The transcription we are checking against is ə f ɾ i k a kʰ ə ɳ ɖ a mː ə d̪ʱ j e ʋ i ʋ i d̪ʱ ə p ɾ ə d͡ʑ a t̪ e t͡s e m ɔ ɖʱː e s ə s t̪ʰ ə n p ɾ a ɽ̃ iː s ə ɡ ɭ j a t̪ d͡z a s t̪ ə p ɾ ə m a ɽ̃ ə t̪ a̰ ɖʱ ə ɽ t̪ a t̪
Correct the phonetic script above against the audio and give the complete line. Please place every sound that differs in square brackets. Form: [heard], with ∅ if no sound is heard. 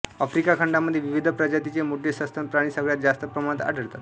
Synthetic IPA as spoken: ə f ɾ i k a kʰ ə ɳ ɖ a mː ə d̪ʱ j e ʋ i ʋ i d̪ʱ ə p ɾ ə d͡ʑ a t̪ [i] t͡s e m [u] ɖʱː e s ə s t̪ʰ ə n p ɾ a ɽ̃ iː s ə ɡ ɭ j a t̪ d͡z a s t̪ ə p ɾ ə m a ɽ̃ ə t̪ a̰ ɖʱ ə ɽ t̪ a t̪